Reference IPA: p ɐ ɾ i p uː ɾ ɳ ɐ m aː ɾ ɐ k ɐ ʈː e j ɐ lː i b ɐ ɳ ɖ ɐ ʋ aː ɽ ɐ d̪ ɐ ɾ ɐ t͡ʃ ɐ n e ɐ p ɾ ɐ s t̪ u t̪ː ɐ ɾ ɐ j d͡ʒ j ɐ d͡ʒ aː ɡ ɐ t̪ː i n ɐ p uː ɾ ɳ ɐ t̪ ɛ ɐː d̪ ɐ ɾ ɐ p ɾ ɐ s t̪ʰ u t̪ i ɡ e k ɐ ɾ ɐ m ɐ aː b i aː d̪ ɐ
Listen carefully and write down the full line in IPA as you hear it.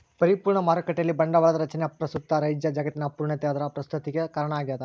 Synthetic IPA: p ɐ ɾ i p uː ɾ ɳ ɐ m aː ɾ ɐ k ɐ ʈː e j ɐ lː i b ɐ ɳ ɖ ɐ ʋ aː ɭ ɐ d̪ ɐ ɾ ɐ t͡ʃ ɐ n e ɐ p ɾ ɐ s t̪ u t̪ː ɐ ɾ ɐ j d͡ʒ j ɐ d͡ʒ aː ɡ ɐ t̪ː i n ɐ p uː ɾ ɳ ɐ t̪ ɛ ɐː d̪ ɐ ɾ ɐ p ɾ ɐ s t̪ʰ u t̪ i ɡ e k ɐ ɾ ɐ ɳ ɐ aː ɡ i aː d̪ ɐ

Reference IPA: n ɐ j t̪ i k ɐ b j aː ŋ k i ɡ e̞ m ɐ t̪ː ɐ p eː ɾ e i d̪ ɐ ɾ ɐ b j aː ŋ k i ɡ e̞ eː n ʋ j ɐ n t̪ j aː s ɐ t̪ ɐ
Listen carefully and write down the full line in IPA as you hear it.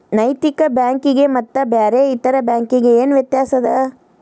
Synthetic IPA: n ɐ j t̪ i k ɐ b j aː ŋ k i ɡ e̞ m ɐ t̪ː ɐ b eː ɾ e i t̪ ɐ ɾ ɐ b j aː ŋ k i ɡ e̞ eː n ʋ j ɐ t̪ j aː s ɐ d̪ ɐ

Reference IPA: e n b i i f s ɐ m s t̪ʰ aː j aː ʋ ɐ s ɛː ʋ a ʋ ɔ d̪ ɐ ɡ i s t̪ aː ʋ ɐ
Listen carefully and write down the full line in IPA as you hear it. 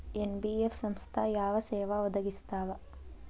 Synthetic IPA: e n b i e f s ɐ m s t̪ʰ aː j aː ʋ ɐ s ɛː ʋ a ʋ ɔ d̪ ɐ ɡ i s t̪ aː ʋ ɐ

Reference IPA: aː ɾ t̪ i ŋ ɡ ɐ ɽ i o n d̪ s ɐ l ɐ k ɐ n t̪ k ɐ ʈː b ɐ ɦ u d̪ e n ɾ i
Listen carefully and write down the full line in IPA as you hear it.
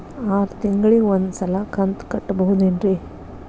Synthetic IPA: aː ɾ t̪ i ŋ ɡ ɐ ɭ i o n d̪ s ɐ l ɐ k ɐ n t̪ k ɐ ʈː b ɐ ɦ u d̪ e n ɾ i

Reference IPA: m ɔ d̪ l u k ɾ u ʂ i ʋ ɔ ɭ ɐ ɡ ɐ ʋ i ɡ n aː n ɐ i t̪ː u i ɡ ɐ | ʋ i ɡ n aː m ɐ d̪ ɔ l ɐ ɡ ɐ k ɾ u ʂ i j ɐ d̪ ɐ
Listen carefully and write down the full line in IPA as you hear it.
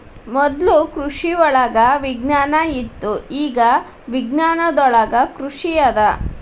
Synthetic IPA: m ɔ d̪ l u k ɾ u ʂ i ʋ ɔ ɭ ɐ ɡ ɐ ʋ i ɡ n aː n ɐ i t̪ː u iː ɡ ɐ | ʋ i ɡ n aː n ɐ d̪ ɔ ɭ ɐ ɡ ɐ k ɾ u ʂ i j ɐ d̪ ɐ

